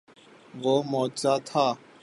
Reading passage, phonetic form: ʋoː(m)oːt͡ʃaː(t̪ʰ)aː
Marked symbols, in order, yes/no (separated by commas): yes, yes